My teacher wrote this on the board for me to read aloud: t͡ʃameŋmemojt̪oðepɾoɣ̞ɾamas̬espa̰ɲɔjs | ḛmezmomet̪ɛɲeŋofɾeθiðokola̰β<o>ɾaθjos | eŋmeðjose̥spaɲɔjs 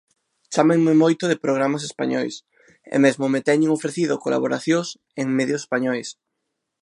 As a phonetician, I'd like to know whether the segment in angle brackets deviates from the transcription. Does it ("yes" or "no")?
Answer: no